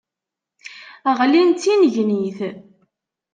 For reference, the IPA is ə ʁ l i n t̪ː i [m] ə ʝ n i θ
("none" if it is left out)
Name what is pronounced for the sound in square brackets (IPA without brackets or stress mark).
n